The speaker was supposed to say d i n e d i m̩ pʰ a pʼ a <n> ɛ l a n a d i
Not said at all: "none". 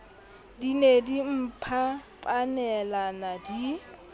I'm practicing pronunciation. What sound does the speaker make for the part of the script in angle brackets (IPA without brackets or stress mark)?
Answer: n